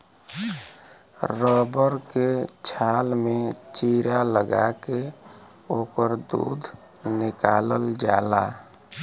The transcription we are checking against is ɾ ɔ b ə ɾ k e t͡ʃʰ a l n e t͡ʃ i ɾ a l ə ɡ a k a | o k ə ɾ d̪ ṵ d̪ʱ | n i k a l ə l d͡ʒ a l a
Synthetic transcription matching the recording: ɾ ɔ b ə ɾ k e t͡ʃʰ a l m e t͡ʃ i ɾ a l ə ɡ a k e | o k ə ɾ d̪ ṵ d̪ʱ | n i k a l ə l d͡ʒ a l a